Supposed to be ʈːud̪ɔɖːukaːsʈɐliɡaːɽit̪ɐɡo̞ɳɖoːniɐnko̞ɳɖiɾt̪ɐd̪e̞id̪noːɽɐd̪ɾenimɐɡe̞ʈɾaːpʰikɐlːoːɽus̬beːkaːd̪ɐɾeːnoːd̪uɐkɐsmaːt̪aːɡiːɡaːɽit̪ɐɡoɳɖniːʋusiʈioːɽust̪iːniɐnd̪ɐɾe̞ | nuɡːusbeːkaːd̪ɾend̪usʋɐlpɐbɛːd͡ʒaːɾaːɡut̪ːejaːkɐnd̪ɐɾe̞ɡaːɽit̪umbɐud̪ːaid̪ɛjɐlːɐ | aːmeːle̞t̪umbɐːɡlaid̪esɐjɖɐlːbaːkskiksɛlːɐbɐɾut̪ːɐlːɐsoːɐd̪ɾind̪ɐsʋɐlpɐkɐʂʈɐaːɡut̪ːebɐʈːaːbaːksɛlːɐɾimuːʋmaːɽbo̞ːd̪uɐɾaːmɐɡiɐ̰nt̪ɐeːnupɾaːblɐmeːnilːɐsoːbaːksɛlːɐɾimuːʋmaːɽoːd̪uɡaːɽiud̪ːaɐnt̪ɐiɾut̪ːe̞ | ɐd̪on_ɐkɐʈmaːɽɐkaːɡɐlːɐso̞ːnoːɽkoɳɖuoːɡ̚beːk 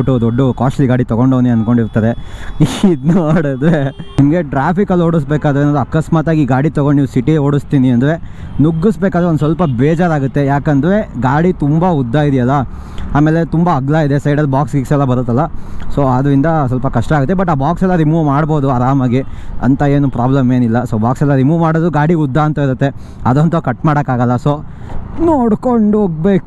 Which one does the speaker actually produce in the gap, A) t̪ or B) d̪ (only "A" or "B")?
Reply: A